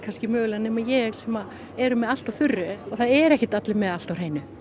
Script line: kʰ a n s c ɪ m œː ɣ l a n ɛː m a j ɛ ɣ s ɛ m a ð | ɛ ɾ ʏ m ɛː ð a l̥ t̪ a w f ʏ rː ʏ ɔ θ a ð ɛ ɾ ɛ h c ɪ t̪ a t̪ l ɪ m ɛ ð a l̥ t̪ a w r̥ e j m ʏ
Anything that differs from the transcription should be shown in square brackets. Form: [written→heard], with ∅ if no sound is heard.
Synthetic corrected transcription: kʰ a n s c ɪ m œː ɣ l a n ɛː m a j ɛ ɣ s ɛ m a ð | ɛ ɾ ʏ m [ɛː→ɛ] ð a l̥ t̪ a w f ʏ rː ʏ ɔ θ a ð ɛ ɾ ɛ h c ɪ t̪ a t̪ l ɪ m ɛ ð a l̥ t̪ a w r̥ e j [m→n] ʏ

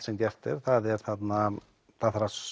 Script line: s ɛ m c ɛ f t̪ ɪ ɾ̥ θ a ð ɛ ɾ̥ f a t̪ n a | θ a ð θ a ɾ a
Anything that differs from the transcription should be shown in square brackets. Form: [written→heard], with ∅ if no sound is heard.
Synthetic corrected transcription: s ɛ m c ɛ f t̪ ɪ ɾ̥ θ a ð ɛ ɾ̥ [f→θ] a t̪ n a | θ a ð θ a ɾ a

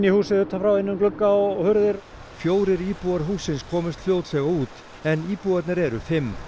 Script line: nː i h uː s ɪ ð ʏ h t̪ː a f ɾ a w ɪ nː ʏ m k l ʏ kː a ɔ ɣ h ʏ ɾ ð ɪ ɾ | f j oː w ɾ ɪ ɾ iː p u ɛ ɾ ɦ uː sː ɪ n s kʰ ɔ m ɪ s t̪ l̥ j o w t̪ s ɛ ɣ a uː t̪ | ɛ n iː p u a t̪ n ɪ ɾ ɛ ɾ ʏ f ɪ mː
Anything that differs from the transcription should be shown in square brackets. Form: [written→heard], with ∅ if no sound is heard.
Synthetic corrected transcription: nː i h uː s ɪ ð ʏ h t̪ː a f ɾ a w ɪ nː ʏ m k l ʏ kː a ɔ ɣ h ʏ ɾ ð ɪ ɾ | f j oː w ɾ ɪ ɾ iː p u [ɛ→a] ɾ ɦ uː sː ɪ n s kʰ [ɔ→ɔː] m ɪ s t̪ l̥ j o w t̪ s ɛ ɣ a uː t̪ | ɛ n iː p u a t̪ n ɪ ɾ ɛ ɾ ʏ f ɪ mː

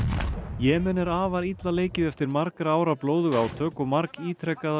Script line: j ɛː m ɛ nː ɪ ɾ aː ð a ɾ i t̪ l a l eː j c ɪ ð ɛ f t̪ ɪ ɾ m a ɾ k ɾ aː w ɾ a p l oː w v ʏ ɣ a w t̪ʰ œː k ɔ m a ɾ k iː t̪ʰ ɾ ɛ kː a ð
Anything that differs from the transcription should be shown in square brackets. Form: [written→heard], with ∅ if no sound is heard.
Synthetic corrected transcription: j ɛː m ɛ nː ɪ ɾ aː [ð→v] a ɾ i t̪ l a l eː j c ɪ ð ɛ f t̪ ɪ ɾ m a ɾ k ɾ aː w ɾ a p l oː w [v→ð] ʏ ɣ a w t̪ʰ œː k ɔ m a ɾ k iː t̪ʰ ɾ ɛ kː a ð

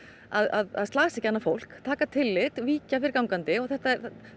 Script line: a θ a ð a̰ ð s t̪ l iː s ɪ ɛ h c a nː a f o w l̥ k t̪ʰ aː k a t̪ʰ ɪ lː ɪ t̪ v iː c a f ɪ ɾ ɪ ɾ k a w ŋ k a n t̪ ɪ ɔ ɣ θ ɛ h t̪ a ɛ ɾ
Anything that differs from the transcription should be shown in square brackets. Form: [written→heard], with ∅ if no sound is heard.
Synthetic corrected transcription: a [θ→ð] a ð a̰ ð s t̪ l [iː→aː] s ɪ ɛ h c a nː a f o w l̥ k t̪ʰ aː k a t̪ʰ ɪ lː ɪ t̪ v iː c a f ɪ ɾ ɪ ɾ k a w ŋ k a n t̪ ɪ ɔ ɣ θ ɛ h t̪ a ɛ ɾ

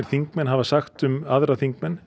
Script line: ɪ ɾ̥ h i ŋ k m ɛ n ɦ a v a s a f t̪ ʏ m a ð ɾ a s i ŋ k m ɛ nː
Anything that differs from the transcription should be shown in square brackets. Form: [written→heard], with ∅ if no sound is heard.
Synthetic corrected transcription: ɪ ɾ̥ [h→θ] i ŋ k m ɛ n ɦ a v a s a [f→x] t̪ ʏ m a ð ɾ a [s→θ] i ŋ k m ɛ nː

